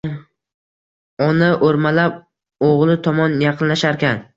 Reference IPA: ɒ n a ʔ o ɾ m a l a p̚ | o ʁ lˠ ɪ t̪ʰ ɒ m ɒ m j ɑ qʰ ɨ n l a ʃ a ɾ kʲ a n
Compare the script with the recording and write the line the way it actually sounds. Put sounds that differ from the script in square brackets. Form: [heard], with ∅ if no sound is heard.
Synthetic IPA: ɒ n a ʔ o ɾ m a l a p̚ | o ʁ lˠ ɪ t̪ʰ ɒ m ɒ [n] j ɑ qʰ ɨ n l a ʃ a ɾ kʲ a n